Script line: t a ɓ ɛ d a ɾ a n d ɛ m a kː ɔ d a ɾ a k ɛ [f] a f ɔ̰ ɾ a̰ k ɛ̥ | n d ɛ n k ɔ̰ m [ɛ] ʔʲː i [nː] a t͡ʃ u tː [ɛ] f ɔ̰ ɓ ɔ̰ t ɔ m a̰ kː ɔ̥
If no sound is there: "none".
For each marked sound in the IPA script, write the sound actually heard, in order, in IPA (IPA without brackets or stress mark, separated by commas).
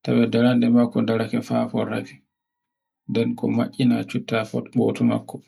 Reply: f, a, n, a